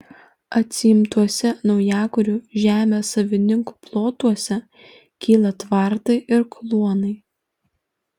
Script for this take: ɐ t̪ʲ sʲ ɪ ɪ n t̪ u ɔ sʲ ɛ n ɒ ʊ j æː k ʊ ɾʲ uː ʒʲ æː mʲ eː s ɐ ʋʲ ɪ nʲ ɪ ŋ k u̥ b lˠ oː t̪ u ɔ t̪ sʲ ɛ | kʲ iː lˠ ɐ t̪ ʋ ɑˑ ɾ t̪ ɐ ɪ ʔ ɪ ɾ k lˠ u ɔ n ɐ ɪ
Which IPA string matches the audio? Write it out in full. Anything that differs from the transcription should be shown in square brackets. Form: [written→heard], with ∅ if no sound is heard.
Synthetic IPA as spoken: ɐ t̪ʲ sʲ ɪ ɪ [n→m] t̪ u ɔ sʲ ɛ n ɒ ʊ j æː k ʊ ɾʲ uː ʒʲ æː mʲ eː s ɐ ʋʲ ɪ nʲ ɪ ŋ k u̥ [b→p] lˠ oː t̪ u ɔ [t̪→∅] sʲ ɛ | kʲ iː lˠ ɐ t̪ ʋ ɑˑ ɾ t̪ ɐ ɪ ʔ ɪ ɾ k lˠ u ɔ n ɐ ɪ